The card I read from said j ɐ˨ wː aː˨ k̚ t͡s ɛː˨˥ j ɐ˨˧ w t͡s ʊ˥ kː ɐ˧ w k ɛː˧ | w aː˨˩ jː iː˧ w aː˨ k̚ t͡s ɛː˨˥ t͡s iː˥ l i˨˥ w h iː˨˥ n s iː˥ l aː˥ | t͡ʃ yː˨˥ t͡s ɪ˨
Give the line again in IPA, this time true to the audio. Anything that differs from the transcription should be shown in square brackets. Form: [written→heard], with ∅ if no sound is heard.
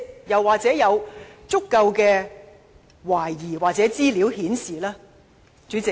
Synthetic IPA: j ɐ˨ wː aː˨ k̚ t͡s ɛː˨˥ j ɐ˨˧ w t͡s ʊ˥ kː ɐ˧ w k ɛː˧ | w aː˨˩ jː [iː˧→iː˨˩] w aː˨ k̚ t͡s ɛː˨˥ t͡s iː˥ l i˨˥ w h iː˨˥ n s [iː˥→iː˨] l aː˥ | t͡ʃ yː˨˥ t͡s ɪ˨